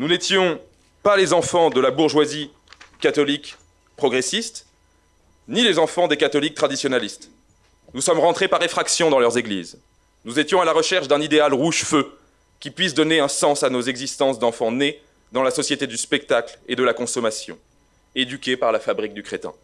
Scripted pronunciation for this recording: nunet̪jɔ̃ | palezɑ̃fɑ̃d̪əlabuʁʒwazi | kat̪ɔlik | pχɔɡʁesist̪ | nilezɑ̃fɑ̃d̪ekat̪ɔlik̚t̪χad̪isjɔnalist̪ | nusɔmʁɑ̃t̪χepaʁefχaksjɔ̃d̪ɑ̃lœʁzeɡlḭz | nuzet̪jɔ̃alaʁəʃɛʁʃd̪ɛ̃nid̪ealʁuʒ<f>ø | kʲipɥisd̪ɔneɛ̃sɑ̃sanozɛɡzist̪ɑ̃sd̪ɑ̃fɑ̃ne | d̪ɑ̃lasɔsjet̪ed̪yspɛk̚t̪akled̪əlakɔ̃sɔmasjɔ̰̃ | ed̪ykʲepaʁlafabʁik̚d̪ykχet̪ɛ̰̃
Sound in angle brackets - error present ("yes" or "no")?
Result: no